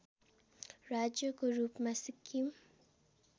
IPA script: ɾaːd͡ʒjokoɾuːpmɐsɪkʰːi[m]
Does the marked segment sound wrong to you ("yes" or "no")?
no